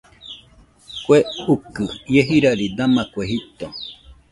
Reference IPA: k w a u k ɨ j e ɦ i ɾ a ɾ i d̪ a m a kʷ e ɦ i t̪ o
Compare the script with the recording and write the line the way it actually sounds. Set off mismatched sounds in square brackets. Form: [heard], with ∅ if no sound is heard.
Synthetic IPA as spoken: k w [e] u k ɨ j e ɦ i ɾ a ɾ i d̪ a m a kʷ e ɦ i t̪ o